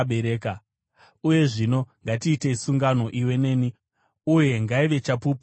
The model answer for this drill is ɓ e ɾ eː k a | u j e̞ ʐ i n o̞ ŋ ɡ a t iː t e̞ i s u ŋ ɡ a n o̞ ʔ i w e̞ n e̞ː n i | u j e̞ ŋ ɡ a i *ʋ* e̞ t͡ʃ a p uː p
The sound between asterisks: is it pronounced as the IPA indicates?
yes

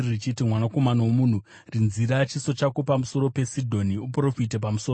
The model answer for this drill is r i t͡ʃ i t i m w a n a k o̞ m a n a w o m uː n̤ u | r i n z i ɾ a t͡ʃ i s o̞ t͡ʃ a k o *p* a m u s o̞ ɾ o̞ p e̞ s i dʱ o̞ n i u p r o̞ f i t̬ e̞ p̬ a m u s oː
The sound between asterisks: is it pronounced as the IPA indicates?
yes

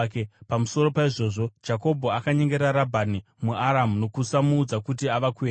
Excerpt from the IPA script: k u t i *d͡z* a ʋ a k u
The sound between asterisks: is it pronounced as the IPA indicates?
no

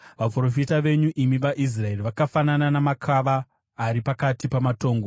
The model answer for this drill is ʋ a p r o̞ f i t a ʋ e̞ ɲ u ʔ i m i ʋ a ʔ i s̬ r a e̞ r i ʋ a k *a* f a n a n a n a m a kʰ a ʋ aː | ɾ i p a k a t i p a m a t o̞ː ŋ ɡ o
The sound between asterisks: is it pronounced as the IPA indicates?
yes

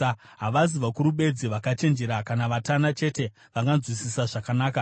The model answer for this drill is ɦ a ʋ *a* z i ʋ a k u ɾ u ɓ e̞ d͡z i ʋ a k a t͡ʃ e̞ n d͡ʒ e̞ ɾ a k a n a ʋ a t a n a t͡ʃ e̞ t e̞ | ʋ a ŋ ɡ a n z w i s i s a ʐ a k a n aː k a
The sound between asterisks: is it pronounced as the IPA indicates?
yes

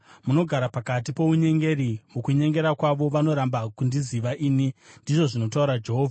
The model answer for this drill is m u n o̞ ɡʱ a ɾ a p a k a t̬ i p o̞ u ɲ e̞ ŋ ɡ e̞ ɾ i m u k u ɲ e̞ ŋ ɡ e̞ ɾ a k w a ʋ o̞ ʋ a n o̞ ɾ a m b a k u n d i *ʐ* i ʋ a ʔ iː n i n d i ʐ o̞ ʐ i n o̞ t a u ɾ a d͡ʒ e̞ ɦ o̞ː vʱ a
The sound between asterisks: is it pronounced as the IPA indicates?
no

